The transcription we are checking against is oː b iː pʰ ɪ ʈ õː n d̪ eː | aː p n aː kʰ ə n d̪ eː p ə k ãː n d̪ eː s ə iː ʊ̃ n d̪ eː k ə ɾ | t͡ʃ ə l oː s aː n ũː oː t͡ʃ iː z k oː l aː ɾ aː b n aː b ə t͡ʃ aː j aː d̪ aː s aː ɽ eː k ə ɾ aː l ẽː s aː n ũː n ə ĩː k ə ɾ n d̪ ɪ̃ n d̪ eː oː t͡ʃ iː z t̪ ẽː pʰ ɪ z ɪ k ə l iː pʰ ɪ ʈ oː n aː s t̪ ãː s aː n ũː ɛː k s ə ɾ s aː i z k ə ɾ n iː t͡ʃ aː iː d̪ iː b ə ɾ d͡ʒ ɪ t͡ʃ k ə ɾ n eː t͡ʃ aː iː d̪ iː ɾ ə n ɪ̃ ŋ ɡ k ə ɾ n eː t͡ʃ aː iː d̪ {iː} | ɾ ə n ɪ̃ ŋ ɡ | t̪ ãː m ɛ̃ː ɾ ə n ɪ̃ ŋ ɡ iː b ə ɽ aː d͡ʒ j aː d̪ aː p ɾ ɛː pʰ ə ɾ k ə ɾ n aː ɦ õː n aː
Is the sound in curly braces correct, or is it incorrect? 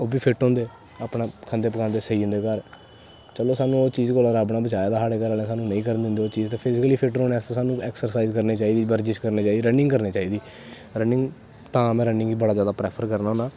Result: correct